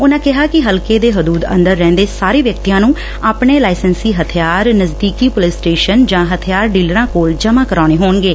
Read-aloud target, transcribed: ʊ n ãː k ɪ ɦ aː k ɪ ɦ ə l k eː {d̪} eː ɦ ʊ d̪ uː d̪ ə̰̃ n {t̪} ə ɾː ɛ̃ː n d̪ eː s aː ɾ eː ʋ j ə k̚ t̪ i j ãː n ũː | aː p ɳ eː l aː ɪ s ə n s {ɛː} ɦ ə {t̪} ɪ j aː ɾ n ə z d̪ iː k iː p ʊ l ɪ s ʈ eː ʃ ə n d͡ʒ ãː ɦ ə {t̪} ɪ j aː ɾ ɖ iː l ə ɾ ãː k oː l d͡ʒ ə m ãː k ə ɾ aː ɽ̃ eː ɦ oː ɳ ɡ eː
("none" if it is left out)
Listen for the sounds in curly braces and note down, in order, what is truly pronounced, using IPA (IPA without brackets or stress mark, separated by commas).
d̪, d̪, iː, t̪ʰ, t̪ʰ